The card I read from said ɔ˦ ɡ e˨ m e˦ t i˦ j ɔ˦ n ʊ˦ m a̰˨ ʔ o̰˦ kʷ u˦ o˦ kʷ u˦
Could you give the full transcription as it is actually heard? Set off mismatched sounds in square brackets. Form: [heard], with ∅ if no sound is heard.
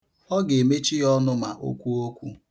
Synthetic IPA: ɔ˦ ɡ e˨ m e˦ [t͡ʃ] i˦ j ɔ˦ n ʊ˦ m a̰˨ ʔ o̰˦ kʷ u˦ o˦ kʷ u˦